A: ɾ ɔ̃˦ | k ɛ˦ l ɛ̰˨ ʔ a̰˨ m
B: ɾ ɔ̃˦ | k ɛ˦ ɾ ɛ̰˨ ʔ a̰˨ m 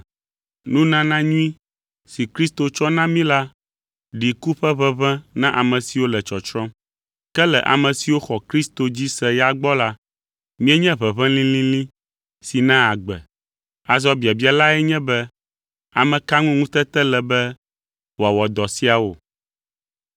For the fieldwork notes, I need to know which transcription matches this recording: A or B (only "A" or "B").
A